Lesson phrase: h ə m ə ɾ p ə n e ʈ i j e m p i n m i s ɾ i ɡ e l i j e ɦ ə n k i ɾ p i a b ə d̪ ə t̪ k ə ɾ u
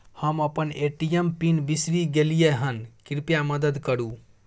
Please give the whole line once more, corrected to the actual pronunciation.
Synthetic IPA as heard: h ə m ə p ə n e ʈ i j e m p i n b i s ɾ i ɡ e l i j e ɦ ə n k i ɾ p j a m ə d̪ ə d̪ k ə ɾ u

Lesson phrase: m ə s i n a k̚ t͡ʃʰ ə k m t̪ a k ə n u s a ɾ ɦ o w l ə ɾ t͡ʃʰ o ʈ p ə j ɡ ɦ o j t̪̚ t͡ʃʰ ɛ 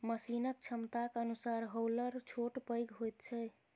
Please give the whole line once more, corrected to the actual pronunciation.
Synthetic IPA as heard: m ə s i n ə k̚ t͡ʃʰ ə m t̪ a k ə n u s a ɾ ɦ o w l ə ɾ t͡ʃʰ o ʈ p ə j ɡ ɦ o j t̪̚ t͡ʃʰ ɛ

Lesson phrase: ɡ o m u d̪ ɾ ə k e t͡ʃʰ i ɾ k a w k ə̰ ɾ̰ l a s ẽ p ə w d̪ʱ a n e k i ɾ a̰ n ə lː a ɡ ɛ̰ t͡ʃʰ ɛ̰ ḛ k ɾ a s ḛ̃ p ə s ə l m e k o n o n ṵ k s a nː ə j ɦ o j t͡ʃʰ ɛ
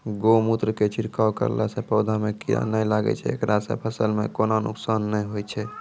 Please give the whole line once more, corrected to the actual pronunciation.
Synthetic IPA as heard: ɡ o m u t̪ ɾ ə k e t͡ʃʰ i ɾ k a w k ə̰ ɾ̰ l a s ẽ p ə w d̪ʱ a m e k i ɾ a̰ n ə l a ɡ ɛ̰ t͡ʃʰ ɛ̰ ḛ k ɾ a s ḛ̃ pʰ ə s ə l m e k o n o n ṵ k s a nː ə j ɦ o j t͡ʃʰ ɛ

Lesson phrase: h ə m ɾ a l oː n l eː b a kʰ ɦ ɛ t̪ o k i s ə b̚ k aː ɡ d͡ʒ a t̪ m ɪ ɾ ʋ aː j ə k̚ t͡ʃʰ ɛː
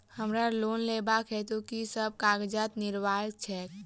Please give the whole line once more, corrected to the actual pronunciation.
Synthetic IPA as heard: h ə m ɾ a l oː n l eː b a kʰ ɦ ɛ t̪ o k i s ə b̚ k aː ɡ d͡ʒ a t̪ n ɪ ɾ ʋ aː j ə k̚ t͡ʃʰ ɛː

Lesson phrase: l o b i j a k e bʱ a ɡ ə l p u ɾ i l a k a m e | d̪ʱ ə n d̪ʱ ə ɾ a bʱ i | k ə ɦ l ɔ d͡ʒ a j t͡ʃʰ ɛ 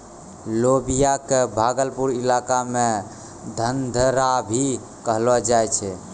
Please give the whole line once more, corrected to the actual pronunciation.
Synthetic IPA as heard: l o b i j a k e bʱ a ɡ ə l p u ɾ i l a k a m e | d̪ʱ ə n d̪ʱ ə ɾ a bʱ i | k ə ɦ l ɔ d͡ʒ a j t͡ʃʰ ɛ

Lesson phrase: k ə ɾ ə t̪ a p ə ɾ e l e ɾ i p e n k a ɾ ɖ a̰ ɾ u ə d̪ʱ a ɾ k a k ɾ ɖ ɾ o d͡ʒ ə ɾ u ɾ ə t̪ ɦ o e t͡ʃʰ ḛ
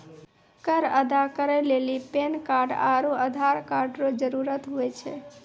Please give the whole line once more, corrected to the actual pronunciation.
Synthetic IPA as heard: k ə ɾ ə d̪ a k ə ɾ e l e l i p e n k a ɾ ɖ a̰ ɾ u ə d̪ʱ a ɾ k a ɾ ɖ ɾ o d͡ʒ ə ɾ u ɾ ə t̪ ɦ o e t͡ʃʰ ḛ

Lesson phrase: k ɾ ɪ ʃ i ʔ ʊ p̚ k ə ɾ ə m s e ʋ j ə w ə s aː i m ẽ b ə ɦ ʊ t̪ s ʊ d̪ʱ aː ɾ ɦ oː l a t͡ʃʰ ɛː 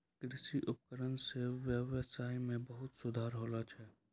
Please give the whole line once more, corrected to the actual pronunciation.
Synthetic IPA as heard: k ɾ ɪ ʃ i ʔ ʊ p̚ k ə ɾ ə n s e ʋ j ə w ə s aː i m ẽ b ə ɦ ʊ t̪ s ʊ d̪ʱ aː ɾ ɦ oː l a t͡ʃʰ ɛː

